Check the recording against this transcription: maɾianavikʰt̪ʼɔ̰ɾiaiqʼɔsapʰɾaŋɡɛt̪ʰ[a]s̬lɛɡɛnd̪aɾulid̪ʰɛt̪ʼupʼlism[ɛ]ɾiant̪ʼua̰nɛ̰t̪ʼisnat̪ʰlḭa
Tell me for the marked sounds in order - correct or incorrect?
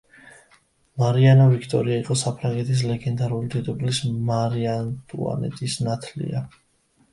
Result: incorrect, incorrect

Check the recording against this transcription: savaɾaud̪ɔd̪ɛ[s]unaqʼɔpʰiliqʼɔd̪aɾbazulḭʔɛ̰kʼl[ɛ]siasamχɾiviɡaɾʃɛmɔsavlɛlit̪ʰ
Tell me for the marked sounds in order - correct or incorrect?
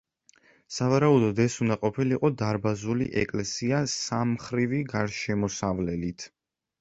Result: correct, correct

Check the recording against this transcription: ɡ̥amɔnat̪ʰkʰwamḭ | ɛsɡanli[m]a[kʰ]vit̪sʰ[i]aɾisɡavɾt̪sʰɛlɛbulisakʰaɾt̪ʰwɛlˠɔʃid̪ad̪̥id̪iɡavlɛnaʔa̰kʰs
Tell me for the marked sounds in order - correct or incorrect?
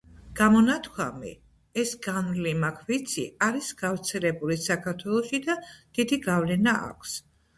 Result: correct, correct, correct

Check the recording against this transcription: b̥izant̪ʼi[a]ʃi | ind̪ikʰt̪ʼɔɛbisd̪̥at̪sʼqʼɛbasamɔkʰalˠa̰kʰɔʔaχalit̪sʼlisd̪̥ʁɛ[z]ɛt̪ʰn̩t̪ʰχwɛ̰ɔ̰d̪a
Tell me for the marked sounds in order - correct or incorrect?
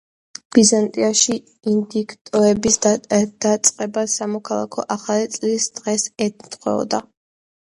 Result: correct, incorrect

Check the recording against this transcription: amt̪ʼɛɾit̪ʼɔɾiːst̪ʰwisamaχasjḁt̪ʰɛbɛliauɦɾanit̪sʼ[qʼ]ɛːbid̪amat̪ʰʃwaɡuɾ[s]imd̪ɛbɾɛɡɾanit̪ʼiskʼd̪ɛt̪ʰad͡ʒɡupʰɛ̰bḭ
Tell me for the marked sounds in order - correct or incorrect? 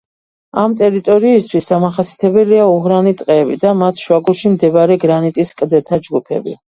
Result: correct, incorrect

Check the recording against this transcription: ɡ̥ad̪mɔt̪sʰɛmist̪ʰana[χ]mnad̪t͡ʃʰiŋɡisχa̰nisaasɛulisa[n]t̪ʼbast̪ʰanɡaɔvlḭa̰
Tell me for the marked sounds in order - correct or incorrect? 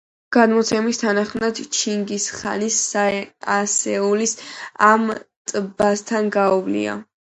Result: correct, incorrect

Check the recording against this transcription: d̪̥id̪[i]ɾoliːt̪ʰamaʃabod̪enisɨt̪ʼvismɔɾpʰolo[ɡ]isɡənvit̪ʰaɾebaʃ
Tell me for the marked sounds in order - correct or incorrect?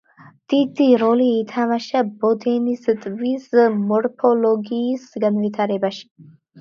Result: correct, correct

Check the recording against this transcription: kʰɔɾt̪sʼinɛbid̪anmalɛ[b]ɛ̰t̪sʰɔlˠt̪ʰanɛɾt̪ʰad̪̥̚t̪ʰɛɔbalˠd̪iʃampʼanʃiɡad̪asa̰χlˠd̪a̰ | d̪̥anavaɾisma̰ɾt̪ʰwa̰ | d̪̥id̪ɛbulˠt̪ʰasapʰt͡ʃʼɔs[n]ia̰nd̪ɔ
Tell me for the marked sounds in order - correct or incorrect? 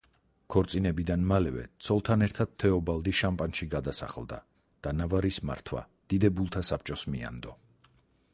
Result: incorrect, incorrect

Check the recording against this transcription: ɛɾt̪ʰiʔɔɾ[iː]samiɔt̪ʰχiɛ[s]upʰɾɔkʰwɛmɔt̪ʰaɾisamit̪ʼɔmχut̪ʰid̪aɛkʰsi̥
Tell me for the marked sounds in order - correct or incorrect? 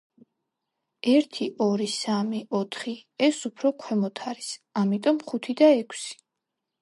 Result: incorrect, correct

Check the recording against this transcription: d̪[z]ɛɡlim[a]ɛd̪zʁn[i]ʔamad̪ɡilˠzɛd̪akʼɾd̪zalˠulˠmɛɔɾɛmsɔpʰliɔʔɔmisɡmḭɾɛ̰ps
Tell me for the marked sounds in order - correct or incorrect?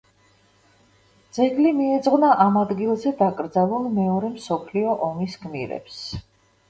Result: correct, incorrect, incorrect

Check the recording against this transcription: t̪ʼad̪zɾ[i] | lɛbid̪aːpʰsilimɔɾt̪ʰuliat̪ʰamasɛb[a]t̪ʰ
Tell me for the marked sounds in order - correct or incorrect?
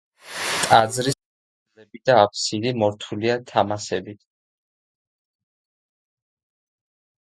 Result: correct, incorrect

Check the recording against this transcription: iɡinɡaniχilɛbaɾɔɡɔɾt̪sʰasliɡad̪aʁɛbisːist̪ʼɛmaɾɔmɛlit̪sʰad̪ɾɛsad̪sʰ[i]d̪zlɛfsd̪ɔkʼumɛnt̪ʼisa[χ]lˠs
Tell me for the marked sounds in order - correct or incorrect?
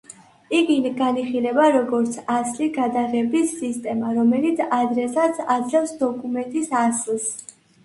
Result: incorrect, incorrect

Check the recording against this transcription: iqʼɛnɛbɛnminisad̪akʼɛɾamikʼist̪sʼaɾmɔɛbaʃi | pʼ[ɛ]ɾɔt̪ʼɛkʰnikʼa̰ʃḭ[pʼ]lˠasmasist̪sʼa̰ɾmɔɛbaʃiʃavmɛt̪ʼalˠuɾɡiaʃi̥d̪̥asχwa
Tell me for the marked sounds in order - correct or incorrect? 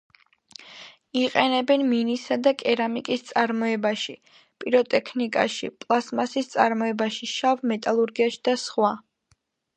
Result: incorrect, correct

